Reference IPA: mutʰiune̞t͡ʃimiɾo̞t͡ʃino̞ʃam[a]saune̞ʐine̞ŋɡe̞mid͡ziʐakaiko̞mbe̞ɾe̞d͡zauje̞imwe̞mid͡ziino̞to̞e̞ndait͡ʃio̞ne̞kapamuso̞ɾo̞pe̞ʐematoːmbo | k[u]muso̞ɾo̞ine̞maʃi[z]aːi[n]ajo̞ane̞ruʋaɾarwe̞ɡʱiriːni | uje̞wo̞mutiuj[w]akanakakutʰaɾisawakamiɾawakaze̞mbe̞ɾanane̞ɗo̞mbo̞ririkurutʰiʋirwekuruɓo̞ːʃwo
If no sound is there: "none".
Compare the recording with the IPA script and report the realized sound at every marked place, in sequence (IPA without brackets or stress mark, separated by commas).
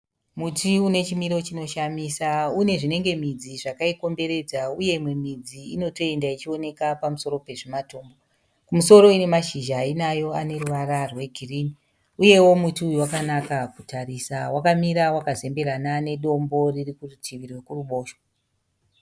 i, u, ʒ, n, w